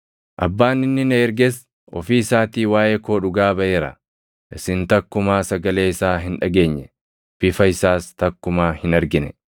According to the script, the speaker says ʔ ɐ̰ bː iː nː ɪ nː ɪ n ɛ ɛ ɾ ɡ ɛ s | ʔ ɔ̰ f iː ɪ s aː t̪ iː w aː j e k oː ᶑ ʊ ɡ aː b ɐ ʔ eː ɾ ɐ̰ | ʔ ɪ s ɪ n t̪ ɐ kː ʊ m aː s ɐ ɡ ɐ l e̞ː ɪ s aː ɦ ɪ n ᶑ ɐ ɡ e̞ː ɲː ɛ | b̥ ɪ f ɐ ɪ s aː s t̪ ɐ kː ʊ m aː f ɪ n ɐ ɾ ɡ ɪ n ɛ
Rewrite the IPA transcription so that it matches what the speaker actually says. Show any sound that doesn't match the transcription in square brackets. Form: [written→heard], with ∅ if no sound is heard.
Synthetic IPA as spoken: ʔ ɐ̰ bː [iː→aː] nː ɪ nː ɪ n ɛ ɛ ɾ ɡ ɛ s | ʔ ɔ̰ f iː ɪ s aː t̪ iː w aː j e k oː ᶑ ʊ ɡ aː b ɐ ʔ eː ɾ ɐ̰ | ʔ ɪ s ɪ n t̪ ɐ kː ʊ m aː s ɐ ɡ ɐ l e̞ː ɪ s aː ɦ ɪ n ᶑ ɐ ɡ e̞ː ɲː ɛ | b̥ ɪ f ɐ ɪ s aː s t̪ ɐ kː ʊ m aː [f→h] ɪ n ɐ ɾ ɡ ɪ n ɛ

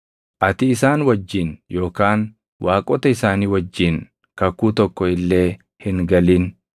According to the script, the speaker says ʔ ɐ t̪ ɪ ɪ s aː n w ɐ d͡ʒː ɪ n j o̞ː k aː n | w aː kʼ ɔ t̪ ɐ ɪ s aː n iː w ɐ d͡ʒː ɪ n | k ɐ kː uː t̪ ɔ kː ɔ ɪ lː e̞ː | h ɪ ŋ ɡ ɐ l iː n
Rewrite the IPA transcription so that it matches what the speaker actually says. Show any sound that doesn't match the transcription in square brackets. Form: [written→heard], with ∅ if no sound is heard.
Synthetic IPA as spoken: ʔ ɐ t̪ ɪ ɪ s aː n w ɐ d͡ʒː ɪ n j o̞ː k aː n | w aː kʼ ɔ t̪ ɐ ɪ s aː n iː w ɐ d͡ʒː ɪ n | k ɐ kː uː t̪ ɔ kː ɔ ɪ lː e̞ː | h ɪ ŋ ɡ ɐ l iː n

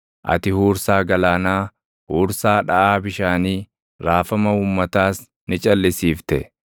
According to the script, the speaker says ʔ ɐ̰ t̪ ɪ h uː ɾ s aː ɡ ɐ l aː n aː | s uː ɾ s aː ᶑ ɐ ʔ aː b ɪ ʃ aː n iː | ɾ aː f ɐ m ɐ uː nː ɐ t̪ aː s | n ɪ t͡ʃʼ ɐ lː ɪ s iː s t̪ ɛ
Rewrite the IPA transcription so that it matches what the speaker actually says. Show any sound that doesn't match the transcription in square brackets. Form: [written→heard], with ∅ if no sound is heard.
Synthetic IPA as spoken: ʔ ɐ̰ t̪ ɪ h uː ɾ s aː ɡ ɐ l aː n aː | [s→h] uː ɾ s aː ᶑ ɐ ʔ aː b ɪ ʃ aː n iː | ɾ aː f ɐ m ɐ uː [nː→mː] ɐ t̪ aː s | n ɪ t͡ʃʼ ɐ lː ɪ s iː [s→f] t̪ ɛ

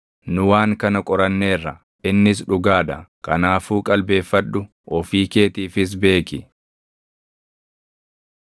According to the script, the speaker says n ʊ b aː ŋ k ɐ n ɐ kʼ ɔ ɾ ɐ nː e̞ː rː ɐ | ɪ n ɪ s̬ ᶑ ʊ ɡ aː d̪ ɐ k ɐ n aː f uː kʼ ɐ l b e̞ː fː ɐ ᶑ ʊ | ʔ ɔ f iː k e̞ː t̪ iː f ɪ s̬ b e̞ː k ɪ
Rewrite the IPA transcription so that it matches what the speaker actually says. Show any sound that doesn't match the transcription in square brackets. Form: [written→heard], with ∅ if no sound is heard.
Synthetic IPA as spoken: n ʊ [b→w] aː ŋ k ɐ n ɐ kʼ ɔ ɾ ɐ nː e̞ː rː ɐ | ɪ [n→nː] ɪ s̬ ᶑ ʊ ɡ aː d̪ ɐ k ɐ n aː f uː kʼ ɐ l b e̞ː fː ɐ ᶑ ʊ | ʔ ɔ f iː k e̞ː t̪ iː f ɪ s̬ b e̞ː k ɪ

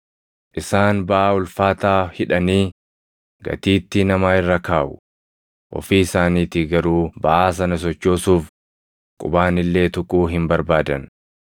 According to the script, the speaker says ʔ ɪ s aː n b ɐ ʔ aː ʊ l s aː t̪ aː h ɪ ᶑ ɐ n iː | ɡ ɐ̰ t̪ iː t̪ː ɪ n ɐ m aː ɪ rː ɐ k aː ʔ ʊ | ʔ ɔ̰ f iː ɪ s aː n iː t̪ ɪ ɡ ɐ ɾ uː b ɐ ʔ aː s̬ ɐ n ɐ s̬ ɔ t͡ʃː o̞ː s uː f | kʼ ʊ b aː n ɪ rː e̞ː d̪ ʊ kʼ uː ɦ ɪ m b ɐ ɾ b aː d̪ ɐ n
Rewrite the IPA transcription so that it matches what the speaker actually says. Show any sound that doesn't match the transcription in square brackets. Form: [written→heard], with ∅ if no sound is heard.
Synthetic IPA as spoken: ʔ ɪ s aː n b ɐ ʔ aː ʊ l [s→f] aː t̪ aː h ɪ ᶑ ɐ n iː | ɡ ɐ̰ t̪ iː t̪ː ɪ n ɐ m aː ɪ rː ɐ k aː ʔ ʊ | ʔ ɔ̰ f iː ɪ s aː n iː t̪ ɪ ɡ ɐ ɾ uː b ɐ ʔ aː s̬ ɐ n ɐ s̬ ɔ t͡ʃː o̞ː s uː f | kʼ ʊ b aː n ɪ [rː→lː] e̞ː [d̪→t̪] ʊ kʼ uː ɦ ɪ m b ɐ ɾ b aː d̪ ɐ n

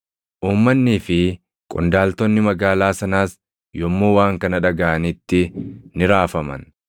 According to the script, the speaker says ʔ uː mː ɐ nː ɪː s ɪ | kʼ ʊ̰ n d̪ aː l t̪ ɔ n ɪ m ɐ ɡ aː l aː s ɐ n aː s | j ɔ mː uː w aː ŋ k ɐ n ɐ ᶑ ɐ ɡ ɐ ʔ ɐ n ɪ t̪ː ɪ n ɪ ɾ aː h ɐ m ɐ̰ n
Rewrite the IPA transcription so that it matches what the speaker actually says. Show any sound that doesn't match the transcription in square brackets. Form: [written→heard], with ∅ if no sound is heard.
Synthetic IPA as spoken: ʔ uː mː ɐ nː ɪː [s→f] ɪ | kʼ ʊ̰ n d̪ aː l t̪ ɔ [n→nː] ɪ m ɐ ɡ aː l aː s ɐ n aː s | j ɔ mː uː w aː ŋ k ɐ n ɐ ᶑ ɐ ɡ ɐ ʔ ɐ n ɪ t̪ː ɪ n ɪ ɾ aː [h→f] ɐ m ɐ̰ n

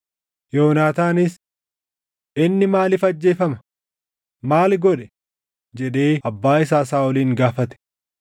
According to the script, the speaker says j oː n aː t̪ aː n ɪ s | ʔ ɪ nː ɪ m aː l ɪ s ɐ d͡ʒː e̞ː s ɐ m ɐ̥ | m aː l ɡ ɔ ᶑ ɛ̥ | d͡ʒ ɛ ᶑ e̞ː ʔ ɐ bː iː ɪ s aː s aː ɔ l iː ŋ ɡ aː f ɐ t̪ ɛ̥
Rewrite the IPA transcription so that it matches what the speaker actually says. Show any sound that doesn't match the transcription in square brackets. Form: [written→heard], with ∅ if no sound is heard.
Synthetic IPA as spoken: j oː n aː t̪ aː n ɪ s | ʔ ɪ nː ɪ m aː l ɪ [s→f] ɐ d͡ʒː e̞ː [s→f] ɐ m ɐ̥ | m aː l ɡ ɔ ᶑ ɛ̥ | d͡ʒ ɛ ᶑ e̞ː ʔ ɐ bː [iː→aː] ɪ s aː s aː ɔ l iː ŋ ɡ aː f ɐ t̪ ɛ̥

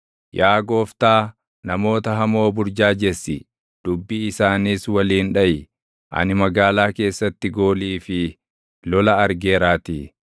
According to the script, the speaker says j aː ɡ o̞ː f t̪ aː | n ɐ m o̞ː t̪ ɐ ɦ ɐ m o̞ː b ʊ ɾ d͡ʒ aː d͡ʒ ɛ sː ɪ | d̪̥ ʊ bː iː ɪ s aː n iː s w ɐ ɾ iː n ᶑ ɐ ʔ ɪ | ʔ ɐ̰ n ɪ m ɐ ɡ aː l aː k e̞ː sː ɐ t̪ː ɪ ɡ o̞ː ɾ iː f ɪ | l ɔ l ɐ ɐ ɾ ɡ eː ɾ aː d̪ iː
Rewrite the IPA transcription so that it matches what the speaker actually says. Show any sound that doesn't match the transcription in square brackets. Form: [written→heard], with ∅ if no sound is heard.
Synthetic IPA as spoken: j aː ɡ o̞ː f t̪ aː | n ɐ m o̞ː t̪ ɐ ɦ ɐ m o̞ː b ʊ ɾ d͡ʒ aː d͡ʒ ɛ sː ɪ | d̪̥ ʊ bː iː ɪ s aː n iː s w ɐ [ɾ→l] iː n ᶑ ɐ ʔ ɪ | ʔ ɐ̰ n ɪ m ɐ ɡ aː l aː k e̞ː sː ɐ t̪ː ɪ ɡ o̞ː [ɾ→l] iː f ɪ | l ɔ l ɐ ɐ ɾ ɡ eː ɾ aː [d̪→t̪] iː

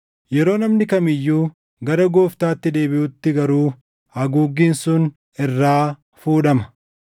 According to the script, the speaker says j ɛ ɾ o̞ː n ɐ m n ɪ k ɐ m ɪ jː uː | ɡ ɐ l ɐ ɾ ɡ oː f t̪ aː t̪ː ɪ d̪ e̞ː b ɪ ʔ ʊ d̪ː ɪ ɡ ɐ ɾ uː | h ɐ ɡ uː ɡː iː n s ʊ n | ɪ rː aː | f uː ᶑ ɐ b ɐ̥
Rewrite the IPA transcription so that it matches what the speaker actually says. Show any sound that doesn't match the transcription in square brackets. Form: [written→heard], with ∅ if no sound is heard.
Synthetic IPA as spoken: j ɛ ɾ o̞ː n ɐ m n ɪ k ɐ m ɪ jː uː | ɡ ɐ [l→ɾ] ɐ [ɾ→∅] ɡ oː f t̪ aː t̪ː ɪ d̪ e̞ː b ɪ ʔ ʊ [d̪ː→t̪ː] ɪ ɡ ɐ ɾ uː | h ɐ ɡ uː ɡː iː n s ʊ n | ɪ rː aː | f uː ᶑ ɐ [b→m] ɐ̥

